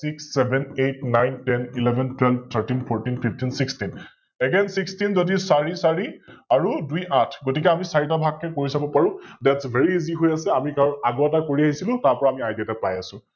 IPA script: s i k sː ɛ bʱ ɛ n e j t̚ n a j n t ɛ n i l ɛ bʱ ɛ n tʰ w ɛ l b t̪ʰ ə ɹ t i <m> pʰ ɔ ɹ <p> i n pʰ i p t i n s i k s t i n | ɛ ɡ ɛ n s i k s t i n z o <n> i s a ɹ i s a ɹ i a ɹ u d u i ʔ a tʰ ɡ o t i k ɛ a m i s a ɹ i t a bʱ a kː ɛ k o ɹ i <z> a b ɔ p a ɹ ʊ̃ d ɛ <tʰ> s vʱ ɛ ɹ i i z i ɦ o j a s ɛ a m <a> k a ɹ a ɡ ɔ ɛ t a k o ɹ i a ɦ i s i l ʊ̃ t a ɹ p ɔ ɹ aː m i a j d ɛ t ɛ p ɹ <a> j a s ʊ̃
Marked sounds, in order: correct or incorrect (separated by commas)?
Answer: incorrect, incorrect, incorrect, incorrect, incorrect, incorrect, correct